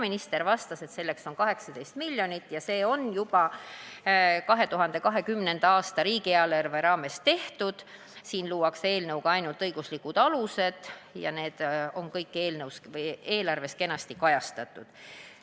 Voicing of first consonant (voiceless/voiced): voiced